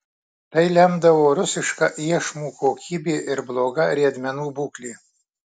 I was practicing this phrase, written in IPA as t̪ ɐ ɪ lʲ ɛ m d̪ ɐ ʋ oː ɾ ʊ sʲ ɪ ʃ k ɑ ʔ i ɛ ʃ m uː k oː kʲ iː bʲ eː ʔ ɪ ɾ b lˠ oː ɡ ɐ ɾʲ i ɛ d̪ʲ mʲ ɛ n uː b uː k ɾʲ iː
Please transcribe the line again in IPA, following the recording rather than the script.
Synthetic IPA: t̪ ɐ ɪ lʲ ɛ m d̪ ɐ ʋ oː ɾ ʊ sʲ ɪ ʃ k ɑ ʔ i ɛ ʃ m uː k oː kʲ iː bʲ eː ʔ ɪ ɾ b lˠ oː ɡ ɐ ɾʲ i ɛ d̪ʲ mʲ ɛ n uː b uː k lʲ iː